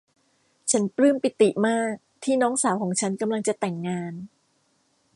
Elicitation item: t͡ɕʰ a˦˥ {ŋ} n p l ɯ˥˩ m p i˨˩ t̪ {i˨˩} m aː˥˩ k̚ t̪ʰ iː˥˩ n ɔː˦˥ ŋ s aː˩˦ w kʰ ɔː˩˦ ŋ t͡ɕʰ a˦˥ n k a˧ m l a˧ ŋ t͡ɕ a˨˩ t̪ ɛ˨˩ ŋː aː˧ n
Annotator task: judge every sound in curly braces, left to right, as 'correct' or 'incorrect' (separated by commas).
incorrect, correct